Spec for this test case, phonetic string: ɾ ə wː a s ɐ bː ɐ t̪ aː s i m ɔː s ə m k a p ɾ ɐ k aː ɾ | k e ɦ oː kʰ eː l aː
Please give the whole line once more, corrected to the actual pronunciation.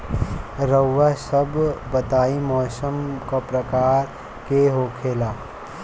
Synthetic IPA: ɾ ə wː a s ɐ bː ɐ t̪ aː i m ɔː s ə m k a p ɾ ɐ k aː ɾ | k e ɦ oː kʰ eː l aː

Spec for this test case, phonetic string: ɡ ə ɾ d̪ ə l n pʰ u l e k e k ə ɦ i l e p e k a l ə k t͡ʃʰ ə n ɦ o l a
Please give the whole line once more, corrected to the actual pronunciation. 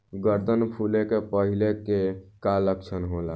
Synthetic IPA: ɡ ə ɾ d̪ ə n pʰ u l e k e p ə ɦ i l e k e k a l ə k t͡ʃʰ ə n ɦ o l a

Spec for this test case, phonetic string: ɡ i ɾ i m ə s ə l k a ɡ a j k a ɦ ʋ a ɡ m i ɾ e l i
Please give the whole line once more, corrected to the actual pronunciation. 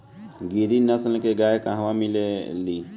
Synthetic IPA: ɡ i ɾ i n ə s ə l k e ɡ a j k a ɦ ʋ a m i l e l i

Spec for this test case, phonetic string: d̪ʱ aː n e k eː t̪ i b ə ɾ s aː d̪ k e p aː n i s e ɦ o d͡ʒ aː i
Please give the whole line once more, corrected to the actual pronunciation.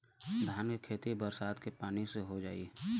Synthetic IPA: d̪ʱ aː n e kʰ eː t̪ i b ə ɾ s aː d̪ k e p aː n i s e ɦ o d͡ʒ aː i

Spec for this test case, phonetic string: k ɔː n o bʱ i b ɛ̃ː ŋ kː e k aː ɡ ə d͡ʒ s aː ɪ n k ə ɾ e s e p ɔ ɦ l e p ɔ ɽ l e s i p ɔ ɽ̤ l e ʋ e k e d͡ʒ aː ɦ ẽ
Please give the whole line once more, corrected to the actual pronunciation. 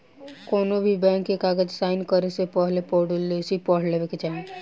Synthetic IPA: k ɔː n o bʱ i b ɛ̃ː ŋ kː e k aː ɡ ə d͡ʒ s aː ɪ n k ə ɾ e s e p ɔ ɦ l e p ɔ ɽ l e s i p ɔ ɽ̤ l e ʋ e k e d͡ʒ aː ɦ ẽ

